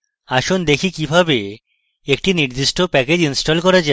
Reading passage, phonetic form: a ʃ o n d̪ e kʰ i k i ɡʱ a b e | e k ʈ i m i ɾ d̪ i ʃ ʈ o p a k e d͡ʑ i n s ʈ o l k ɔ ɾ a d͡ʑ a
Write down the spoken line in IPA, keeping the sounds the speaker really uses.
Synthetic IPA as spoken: a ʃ o n d̪ e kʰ i k i bʱ a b e | e k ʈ i n i ɾ d̪ i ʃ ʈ o p ɛ k e d͡ʑ i n s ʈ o l k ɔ ɾ a d͡ʑ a